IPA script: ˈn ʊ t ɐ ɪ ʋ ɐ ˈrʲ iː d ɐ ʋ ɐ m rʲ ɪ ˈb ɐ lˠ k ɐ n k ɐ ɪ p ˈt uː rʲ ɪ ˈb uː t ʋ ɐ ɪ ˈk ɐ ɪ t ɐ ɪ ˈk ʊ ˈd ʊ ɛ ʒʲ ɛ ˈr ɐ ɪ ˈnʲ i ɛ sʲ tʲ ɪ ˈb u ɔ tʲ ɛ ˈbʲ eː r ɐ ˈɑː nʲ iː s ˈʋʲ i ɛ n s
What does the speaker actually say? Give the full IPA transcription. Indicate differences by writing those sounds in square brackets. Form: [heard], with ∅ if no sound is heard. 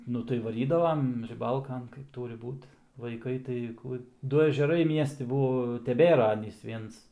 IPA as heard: ˈn ʊ t ɐ ɪ ʋ ɐ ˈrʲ iː d ɐ ʋ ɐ m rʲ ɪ ˈb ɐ lˠ k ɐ n k ɐ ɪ p ˈt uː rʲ ɪ ˈb uː t ʋ ɐ ɪ ˈk ɐ ɪ t ɐ ɪ ˈk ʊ ˈd ʊ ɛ ʒʲ ɛ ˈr ɐ ɪ [ˈmʲ] i ɛ sʲ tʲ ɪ ˈb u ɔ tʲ ɛ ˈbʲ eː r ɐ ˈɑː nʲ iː s ˈʋʲ i ɛ n s

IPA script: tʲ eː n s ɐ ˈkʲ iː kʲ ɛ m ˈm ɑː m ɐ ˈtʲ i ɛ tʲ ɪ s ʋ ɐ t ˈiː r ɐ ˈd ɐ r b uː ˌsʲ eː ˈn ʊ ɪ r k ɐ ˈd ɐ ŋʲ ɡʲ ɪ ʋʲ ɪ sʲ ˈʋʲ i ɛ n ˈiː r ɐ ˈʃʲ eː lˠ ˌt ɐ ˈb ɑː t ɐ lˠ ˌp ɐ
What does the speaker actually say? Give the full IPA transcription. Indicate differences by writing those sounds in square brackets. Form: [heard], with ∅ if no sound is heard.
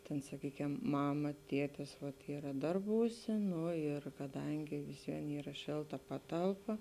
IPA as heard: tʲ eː n s ɐ ˈkʲ iː kʲ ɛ m ˈm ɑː m ɐ ˈtʲ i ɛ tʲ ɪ s ʋ ɐ t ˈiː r ɐ ˈd ɐ r b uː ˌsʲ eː ˈn ʊ ɪ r k ɐ ˈd ɐ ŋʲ ɡʲ ɪ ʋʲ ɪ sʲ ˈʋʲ i ɛ n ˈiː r ɐ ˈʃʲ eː lˠ ˌt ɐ [ˈp] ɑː t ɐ lˠ ˌp ɐ

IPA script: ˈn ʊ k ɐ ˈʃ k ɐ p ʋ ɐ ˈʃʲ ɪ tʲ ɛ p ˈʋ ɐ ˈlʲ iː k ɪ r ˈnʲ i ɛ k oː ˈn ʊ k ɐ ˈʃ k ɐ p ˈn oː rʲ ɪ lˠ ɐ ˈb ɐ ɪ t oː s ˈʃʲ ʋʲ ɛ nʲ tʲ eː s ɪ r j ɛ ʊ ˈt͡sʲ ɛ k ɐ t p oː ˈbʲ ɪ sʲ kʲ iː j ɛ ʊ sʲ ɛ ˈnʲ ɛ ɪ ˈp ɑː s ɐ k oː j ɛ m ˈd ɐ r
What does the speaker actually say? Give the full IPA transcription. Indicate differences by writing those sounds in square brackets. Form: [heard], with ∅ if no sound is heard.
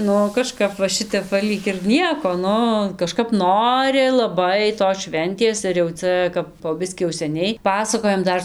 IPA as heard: ˈn ʊ k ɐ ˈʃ k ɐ p ʋ ɐ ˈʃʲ ɪ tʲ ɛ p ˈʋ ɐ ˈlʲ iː k ɪ r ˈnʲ i ɛ k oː ˈn ʊ k ɐ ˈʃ k ɐ p ˈn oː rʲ ɪ lˠ ɐ ˈb ɐ ɪ t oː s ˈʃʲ ʋʲ ɛ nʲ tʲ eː s ɪ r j ɛ ʊ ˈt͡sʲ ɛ k ɐ [p] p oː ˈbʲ ɪ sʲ kʲ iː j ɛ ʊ sʲ ɛ ˈnʲ ɛ ɪ ˈp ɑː s ɐ k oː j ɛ m ˈd ɐ r

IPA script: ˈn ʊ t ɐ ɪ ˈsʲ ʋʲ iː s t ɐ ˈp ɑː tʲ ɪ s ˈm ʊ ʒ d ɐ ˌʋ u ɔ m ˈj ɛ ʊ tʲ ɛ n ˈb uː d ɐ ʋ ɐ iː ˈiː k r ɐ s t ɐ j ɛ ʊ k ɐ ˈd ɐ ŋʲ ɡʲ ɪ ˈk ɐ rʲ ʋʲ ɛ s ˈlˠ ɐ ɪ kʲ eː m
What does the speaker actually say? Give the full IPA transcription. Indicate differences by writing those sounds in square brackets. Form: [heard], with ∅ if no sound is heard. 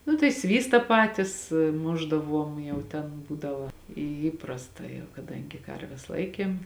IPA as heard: ˈn ʊ t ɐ ɪ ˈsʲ ʋʲ iː s t ɐ ˈp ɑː tʲ ɪ s ˈm ʊ ʒ d ɐ ˌʋ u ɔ m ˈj ɛ ʊ tʲ ɛ n ˈb uː d ɐ ʋ ɐ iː ˈiː [p] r ɐ s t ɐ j ɛ ʊ k ɐ ˈd ɐ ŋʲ ɡʲ ɪ ˈk ɐ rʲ ʋʲ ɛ s ˈlˠ ɐ ɪ kʲ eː m

